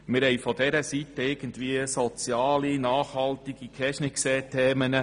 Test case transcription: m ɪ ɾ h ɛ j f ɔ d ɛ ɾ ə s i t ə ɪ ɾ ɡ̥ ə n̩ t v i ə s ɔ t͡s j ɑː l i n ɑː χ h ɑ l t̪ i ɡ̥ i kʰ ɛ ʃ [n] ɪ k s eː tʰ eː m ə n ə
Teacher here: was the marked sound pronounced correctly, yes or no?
yes